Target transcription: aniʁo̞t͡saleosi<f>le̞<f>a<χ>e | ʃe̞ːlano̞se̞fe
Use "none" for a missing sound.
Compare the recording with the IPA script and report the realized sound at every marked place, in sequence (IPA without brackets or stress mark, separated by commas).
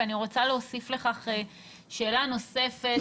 f, χ, χ